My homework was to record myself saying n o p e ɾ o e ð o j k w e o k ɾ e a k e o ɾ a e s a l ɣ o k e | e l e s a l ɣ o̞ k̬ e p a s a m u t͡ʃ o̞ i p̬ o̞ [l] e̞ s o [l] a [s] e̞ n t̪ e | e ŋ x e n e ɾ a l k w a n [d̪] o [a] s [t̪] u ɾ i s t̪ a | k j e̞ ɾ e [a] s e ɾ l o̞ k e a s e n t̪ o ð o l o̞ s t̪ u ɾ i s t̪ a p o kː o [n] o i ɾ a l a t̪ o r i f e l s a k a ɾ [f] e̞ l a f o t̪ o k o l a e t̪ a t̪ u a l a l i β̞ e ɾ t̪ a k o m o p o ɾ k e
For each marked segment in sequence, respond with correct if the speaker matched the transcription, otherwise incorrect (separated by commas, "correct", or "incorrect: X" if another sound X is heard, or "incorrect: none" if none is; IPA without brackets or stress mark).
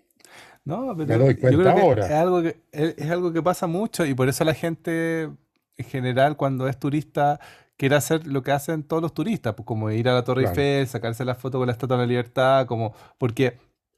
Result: incorrect: ɾ, correct, incorrect: x, correct, incorrect: e, correct, correct, incorrect: m, incorrect: s